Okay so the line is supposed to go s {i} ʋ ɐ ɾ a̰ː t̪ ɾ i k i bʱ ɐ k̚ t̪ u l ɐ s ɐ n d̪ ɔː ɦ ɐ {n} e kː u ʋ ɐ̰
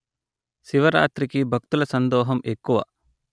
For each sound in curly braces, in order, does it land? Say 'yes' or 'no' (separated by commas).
yes, no